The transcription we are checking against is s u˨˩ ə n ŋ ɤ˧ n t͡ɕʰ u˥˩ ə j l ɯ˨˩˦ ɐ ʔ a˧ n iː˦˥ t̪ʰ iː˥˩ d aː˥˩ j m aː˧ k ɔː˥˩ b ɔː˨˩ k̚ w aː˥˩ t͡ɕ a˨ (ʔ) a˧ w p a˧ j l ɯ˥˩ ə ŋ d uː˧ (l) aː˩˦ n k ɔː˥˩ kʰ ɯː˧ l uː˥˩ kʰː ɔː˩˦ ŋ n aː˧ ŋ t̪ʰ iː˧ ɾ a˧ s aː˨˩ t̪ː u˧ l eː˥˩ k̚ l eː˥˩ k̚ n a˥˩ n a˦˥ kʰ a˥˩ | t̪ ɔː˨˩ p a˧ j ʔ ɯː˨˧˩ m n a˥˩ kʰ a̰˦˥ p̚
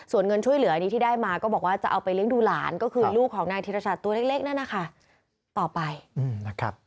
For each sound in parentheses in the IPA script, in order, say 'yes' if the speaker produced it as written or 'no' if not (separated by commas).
yes, yes